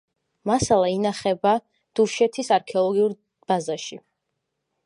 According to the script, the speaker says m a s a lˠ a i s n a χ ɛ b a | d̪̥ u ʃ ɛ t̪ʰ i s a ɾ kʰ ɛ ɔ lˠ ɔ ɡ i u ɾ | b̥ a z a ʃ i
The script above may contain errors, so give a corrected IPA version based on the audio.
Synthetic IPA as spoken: m a s a lˠ a i n a χ ɛ b a | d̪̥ u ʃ ɛ t̪ʰ i s a ɾ kʰ ɛ ɔ lˠ ɔ ɡ i u ɾ | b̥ a z a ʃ i